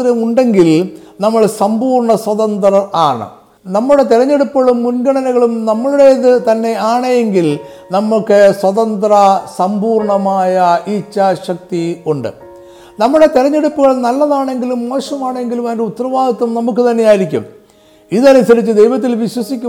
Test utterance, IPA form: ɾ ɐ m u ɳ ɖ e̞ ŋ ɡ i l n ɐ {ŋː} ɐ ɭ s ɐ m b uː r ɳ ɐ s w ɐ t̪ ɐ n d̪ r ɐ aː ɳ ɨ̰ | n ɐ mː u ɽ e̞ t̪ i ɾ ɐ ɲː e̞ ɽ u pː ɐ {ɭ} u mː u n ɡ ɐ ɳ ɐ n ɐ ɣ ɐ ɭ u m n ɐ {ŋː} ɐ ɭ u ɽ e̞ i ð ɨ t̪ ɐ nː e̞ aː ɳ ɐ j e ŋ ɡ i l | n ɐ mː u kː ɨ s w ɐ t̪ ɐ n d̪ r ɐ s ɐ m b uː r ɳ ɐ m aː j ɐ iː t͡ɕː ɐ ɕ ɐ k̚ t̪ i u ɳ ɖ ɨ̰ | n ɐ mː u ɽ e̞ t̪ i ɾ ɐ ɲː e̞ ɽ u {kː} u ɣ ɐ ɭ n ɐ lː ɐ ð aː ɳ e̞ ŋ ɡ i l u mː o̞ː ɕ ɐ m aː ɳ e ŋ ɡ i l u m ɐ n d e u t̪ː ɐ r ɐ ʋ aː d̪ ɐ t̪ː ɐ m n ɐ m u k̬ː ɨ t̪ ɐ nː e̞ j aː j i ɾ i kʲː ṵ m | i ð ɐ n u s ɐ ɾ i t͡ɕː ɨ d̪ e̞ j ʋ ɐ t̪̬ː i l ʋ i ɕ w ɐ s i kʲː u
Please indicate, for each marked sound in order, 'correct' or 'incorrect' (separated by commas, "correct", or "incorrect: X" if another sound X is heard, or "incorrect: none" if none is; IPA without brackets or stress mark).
incorrect: mː, correct, incorrect: mː, incorrect: pː